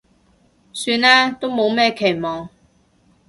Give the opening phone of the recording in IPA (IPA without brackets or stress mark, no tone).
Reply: s